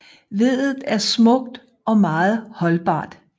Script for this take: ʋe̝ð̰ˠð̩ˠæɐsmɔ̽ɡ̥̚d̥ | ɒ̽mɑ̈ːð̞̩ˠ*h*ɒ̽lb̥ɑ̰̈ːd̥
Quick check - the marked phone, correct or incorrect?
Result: correct